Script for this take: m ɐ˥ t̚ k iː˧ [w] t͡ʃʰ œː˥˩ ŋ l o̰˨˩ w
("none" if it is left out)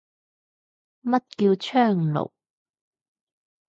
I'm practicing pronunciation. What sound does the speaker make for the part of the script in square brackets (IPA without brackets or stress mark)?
w